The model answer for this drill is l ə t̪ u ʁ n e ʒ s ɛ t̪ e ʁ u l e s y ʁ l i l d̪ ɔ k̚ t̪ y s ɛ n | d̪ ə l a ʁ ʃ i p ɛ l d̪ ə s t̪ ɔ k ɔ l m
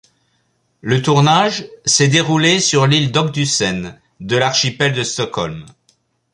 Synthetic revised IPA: l ə t̪ u ʁ n a ʒ s ɛ d̪ e ʁ u l e s y ʁ l i l d̪ ɔ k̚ d̪ y s ɛ n | d̪ ə l a ʁ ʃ i p ɛ l d̪ ə s t̪ ɔ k ɔ l m